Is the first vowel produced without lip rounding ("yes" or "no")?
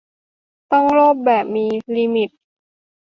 no